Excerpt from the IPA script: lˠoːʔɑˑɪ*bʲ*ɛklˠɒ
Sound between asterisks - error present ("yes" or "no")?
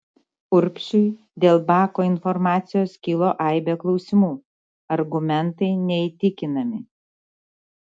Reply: no